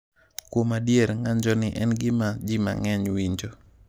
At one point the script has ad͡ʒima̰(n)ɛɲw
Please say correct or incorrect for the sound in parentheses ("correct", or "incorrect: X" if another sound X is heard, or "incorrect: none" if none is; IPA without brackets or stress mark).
incorrect: ŋ